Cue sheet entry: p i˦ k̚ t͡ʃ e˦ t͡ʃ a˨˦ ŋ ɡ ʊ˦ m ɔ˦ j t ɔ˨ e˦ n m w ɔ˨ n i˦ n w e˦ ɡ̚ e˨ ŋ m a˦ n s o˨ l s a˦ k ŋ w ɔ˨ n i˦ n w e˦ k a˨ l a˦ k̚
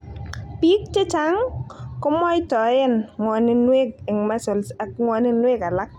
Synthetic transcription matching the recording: p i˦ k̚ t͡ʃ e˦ t͡ʃ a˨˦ ŋ k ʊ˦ m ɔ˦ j t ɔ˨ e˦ n ŋ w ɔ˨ n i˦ n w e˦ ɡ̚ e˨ ŋ m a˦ s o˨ l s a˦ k ŋ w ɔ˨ n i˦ n w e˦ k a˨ l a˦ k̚